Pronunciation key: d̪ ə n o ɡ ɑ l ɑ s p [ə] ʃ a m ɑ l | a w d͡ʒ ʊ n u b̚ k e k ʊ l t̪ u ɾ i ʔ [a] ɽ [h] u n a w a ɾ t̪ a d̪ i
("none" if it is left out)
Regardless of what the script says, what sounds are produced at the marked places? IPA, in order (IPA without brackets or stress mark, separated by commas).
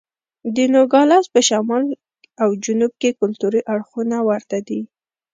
ə, a, x